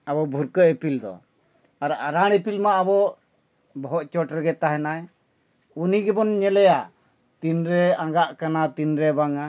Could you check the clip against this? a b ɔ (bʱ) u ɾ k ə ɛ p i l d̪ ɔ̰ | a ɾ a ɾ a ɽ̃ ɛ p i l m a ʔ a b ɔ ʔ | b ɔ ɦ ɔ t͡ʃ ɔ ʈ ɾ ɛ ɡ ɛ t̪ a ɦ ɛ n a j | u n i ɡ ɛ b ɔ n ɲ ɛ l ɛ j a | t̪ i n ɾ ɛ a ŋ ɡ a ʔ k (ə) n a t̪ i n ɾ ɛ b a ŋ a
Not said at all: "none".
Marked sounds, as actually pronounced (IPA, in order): bʱ, a

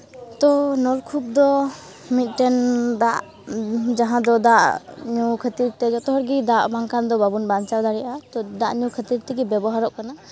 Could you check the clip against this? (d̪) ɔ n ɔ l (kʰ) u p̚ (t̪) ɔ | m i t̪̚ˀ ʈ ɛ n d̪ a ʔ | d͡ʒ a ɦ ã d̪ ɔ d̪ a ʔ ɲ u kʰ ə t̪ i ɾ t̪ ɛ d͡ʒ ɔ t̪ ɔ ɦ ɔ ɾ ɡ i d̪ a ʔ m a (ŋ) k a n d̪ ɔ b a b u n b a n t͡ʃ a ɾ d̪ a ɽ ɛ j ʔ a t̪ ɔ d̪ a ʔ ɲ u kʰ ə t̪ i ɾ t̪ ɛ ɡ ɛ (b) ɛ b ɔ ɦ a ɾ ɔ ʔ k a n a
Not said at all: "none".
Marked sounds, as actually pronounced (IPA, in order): t̪, kʰ, d̪, ŋ, b

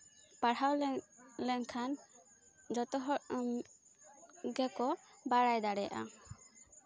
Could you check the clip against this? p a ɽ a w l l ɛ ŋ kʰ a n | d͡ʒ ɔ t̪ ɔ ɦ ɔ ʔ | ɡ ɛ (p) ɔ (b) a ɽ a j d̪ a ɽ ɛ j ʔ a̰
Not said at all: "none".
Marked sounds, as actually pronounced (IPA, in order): k, b

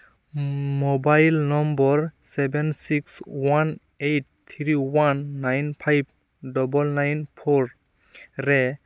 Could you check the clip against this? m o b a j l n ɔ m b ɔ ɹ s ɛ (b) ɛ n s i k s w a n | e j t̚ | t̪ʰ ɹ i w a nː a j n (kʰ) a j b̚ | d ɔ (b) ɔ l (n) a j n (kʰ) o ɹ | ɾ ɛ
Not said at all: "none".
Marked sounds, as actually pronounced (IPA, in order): b, pʰ, b, n, pʰ

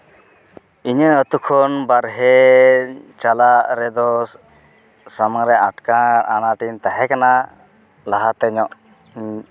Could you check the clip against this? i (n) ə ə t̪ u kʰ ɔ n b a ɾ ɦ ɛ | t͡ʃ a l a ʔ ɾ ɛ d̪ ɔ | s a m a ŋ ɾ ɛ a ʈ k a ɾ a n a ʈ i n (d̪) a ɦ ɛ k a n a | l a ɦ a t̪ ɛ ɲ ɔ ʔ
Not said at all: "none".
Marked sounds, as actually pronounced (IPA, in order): ɲ, t̪

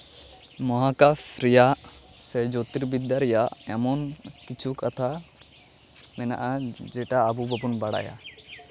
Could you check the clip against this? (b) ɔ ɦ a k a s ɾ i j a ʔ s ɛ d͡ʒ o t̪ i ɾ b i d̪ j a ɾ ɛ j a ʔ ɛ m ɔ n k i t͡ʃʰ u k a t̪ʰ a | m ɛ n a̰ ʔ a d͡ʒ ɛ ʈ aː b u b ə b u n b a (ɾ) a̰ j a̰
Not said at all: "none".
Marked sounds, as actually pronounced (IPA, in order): m, ɽ

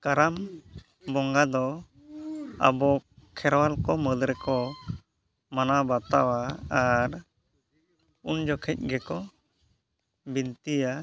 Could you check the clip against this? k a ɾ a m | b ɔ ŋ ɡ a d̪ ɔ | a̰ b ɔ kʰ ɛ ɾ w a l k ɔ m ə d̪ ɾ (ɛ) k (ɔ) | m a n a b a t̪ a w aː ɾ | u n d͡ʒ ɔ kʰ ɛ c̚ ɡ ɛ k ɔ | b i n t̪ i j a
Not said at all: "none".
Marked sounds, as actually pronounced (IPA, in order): ɛ, ɔ

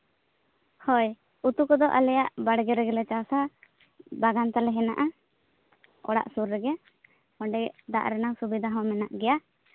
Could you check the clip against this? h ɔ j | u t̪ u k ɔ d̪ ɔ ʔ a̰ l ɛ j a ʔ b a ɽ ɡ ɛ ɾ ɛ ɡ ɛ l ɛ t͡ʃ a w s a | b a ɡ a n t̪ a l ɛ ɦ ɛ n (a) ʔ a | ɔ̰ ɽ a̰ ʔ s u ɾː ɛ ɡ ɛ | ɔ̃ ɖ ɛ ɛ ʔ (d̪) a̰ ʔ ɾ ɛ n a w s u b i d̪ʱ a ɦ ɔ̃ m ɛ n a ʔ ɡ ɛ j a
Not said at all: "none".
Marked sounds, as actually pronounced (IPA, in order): a, d̪

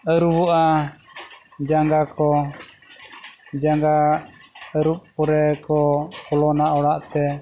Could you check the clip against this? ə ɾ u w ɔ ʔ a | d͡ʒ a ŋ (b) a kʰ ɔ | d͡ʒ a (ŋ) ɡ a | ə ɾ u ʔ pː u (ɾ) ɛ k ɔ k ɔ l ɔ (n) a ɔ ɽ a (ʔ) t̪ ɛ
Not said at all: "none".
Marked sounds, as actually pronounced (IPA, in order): ɡ, ŋ, ɾ, n, ʔ

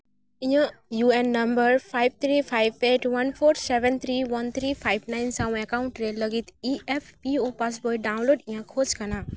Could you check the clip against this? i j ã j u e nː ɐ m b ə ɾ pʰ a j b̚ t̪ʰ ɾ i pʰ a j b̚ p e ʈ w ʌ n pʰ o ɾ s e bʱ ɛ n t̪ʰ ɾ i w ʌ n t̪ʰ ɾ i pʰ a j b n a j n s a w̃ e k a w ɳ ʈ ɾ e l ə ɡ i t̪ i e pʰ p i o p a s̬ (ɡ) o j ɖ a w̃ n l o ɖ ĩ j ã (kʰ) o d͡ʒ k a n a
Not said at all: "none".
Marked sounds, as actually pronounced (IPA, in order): b, kʰ

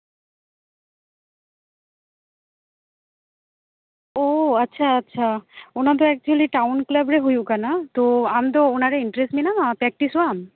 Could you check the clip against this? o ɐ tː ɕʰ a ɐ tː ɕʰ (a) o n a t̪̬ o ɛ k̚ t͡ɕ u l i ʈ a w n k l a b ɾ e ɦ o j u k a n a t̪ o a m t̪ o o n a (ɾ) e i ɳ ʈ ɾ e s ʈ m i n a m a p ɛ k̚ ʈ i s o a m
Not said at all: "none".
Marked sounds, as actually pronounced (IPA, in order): a, ɾ

